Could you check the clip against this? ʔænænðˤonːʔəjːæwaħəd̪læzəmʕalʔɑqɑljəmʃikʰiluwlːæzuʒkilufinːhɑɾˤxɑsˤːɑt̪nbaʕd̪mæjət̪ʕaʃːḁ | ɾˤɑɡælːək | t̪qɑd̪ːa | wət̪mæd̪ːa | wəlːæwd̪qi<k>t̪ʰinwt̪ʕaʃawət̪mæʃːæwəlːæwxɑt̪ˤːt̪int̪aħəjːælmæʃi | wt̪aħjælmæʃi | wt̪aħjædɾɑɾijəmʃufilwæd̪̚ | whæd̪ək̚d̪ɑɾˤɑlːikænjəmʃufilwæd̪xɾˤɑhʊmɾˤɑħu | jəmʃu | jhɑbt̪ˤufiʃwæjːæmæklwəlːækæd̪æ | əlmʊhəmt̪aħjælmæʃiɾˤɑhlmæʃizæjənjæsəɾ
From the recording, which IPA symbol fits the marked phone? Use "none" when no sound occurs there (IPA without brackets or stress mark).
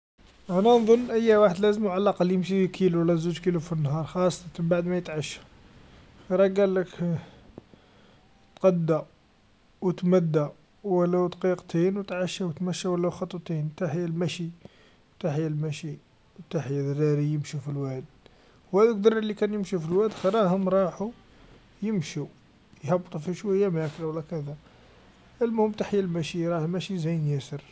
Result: q